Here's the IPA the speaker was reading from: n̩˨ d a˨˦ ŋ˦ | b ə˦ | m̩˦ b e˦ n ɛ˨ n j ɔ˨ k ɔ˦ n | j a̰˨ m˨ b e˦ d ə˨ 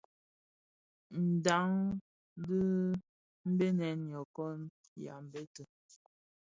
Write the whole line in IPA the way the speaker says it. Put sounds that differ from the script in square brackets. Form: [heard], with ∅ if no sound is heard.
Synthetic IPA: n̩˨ d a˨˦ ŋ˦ | [d] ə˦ | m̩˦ b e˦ n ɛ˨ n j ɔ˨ k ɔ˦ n | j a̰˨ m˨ b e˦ [t] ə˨